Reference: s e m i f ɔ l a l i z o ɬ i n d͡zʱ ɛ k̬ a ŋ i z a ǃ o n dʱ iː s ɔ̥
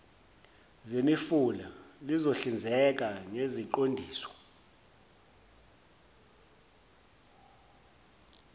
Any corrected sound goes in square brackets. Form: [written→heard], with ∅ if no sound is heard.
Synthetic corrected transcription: [s→z] e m i f [ɔ→u] l a l i z o ɬ i n d͡zʱ ɛ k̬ a ŋ [i→e] z [a→i] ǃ o n dʱ iː s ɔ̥